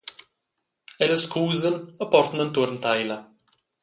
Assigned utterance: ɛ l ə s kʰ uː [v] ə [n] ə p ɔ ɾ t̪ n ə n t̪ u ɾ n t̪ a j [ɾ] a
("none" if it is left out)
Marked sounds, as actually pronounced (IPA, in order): z, n, l

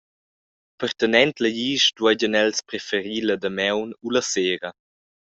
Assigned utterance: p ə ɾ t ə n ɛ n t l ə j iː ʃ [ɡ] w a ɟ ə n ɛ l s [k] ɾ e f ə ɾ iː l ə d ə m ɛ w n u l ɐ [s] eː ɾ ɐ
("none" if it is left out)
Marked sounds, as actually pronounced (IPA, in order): d, p, s

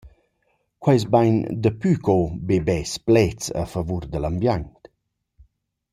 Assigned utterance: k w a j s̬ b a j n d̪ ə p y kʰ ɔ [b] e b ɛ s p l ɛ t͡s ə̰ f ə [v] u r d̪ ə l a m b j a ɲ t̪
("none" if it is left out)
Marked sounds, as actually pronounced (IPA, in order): b, v

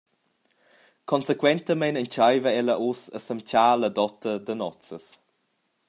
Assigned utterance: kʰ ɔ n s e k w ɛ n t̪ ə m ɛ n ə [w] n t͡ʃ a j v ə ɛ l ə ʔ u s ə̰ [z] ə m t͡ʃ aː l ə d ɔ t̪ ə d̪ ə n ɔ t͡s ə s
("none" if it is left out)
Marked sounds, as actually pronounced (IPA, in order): none, s

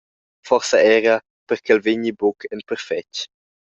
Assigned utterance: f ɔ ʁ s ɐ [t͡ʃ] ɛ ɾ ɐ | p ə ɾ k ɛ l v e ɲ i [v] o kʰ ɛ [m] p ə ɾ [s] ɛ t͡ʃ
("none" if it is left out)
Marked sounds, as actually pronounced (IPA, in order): none, b, n, f

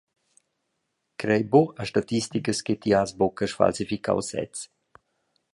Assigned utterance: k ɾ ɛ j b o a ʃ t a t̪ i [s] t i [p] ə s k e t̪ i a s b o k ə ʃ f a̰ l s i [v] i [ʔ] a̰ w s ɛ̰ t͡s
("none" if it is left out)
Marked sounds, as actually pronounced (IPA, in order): s, k, f, k

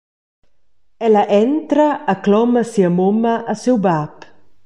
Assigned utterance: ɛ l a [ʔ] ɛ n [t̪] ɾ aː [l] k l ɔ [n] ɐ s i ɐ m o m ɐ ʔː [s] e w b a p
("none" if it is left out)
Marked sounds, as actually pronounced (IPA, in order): ʔ, t̪, none, m, s

